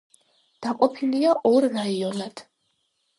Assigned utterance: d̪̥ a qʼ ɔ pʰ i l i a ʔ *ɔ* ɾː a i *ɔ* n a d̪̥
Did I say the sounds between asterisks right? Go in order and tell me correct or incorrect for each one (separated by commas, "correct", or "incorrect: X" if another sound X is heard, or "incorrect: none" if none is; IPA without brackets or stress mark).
correct, correct